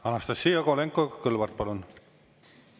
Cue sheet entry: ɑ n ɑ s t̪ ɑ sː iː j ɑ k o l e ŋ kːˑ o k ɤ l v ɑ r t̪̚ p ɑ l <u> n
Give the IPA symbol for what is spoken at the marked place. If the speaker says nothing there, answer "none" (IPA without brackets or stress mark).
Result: u